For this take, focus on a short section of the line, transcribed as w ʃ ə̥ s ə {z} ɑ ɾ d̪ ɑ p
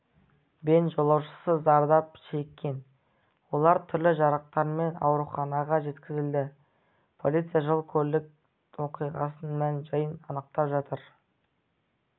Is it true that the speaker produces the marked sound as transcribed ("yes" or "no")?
yes